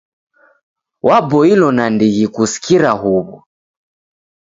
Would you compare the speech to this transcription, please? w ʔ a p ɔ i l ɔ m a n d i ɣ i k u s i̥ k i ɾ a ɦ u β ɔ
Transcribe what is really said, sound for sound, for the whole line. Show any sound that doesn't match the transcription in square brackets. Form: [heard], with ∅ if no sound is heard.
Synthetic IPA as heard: w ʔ a [b] ɔ i l ɔ [n] a n d i ɣ i k u s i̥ k i ɾ a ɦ u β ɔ